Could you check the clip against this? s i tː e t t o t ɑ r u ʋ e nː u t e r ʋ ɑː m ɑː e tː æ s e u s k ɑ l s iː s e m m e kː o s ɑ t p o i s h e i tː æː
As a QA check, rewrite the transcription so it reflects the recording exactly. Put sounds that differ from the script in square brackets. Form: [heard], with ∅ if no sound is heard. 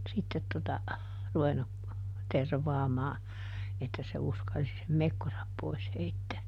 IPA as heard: s i tː e t t o t ɑ r u ʋ e nː u t e r ʋ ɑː m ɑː e tː æ s e u s k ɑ l s [i] s e m m e kː o s ɑ [p] p o i s h e i tː æː